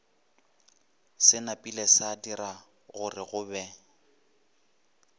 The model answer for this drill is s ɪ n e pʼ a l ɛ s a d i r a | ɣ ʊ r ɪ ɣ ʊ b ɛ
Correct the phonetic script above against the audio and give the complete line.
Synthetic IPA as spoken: s ɪ n a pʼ i l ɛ s a d i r a | ɣ ʊ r ɪ ɣ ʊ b ɛ

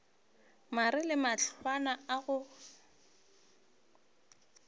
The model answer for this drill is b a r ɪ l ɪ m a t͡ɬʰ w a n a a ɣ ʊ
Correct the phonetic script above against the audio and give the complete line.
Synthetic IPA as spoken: m a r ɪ l ɪ m a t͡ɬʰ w a n a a ɣ ʊ

